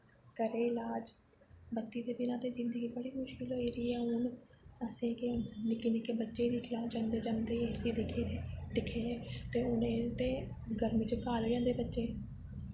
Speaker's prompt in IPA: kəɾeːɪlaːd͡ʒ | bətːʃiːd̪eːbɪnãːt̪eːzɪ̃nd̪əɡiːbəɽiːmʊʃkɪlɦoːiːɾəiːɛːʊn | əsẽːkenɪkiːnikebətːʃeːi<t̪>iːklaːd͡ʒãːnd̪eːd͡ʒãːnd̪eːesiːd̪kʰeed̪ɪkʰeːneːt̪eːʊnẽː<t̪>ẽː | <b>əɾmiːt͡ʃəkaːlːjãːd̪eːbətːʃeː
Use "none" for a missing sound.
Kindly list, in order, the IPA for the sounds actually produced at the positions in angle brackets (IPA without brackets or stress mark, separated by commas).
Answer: d̪, t̪, ɡ